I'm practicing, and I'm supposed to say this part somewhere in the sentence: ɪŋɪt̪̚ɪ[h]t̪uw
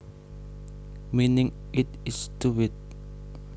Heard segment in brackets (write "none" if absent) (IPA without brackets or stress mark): s